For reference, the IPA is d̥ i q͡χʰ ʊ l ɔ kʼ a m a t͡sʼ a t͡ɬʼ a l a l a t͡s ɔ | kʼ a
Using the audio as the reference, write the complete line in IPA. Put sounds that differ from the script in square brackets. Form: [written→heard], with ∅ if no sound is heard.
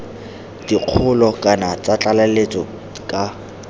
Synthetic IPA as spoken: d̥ i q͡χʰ ʊ l ɔ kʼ a [m→n] a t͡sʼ a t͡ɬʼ a l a l [a→e] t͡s ɔ | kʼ a